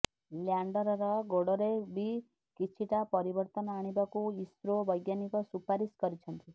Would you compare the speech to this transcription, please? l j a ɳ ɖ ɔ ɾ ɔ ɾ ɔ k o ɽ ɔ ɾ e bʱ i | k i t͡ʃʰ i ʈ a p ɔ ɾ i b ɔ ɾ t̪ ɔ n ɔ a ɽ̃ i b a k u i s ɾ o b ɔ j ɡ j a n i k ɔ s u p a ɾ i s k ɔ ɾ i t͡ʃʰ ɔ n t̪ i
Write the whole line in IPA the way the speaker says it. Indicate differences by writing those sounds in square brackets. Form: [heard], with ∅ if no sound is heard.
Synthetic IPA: l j a ɳ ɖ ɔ ɾ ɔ ɾ ɔ [ɡ] o ɽ ɔ ɾ e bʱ i | k i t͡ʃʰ i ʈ a p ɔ ɾ i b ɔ ɾ t̪ ɔ n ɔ a ɽ̃ i b a k u i s ɾ o b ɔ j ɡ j a n i k ɔ s u p a ɾ i s k ɔ ɾ i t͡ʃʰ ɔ n t̪ i